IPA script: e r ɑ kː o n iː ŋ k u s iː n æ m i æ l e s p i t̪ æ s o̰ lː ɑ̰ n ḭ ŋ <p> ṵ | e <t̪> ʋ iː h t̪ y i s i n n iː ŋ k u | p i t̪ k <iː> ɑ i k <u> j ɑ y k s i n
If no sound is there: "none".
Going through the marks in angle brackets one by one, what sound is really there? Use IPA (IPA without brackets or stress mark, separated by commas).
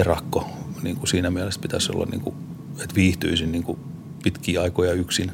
k, t̪, iː, o